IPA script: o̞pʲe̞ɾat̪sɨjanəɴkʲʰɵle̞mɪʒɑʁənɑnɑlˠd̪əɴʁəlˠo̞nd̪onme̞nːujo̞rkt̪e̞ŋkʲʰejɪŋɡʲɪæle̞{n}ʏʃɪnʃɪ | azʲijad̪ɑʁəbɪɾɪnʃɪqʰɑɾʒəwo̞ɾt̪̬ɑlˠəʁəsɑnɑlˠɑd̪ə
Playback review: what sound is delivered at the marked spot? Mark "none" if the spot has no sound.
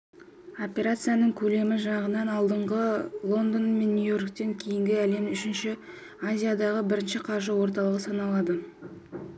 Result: m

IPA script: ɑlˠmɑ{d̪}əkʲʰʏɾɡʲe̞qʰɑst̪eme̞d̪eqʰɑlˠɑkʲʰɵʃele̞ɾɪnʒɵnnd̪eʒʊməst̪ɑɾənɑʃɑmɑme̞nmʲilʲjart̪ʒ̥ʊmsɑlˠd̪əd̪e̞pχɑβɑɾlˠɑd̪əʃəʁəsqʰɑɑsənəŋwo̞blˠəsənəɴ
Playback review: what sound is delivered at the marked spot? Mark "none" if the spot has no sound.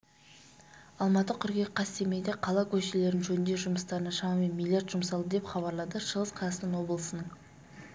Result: t̪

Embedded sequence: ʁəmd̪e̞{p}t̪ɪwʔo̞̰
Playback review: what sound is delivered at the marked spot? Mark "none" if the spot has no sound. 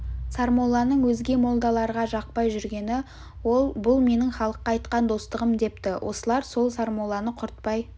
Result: p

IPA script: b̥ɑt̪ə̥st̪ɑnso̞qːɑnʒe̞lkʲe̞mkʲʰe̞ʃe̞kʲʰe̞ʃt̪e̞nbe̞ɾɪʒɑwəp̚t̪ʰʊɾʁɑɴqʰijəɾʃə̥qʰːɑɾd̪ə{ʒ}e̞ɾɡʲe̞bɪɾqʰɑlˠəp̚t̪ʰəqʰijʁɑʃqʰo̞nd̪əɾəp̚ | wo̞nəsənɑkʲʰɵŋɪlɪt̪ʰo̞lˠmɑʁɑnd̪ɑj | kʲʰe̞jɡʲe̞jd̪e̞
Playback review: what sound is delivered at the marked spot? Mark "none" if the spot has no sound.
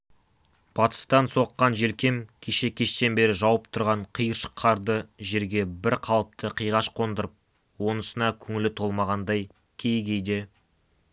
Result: ʒ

